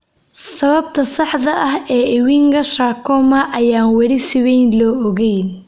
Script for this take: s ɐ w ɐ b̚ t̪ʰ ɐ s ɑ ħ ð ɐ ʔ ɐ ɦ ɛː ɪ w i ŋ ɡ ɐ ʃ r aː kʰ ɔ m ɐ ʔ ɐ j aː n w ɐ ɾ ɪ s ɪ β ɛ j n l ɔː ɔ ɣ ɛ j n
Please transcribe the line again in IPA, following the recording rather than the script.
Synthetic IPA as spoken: s ɐ β ɐ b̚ t̪ʰ ɐ s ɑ ħ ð ɐ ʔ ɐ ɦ ɛː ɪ w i ŋ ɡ ɐ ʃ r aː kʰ ɔ m ɐ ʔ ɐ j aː n w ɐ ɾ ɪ s ɪ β ɛ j n l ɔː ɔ ɣ ɛ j n